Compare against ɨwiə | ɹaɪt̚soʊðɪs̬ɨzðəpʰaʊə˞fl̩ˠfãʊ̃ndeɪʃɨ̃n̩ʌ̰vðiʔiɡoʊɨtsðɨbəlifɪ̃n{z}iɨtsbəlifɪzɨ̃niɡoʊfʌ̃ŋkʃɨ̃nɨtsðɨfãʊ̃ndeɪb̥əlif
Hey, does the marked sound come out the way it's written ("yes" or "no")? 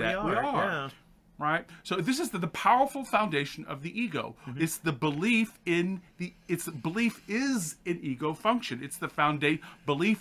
no